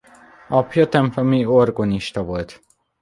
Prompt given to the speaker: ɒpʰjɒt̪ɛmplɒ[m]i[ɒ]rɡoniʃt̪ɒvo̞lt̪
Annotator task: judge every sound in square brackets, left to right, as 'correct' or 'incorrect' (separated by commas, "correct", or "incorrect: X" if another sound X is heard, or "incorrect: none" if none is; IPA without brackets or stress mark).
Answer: correct, incorrect: o